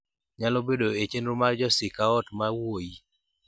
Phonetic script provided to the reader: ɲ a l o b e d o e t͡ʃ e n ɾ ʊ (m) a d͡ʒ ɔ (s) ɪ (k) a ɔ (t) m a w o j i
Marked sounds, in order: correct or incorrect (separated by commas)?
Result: correct, correct, correct, correct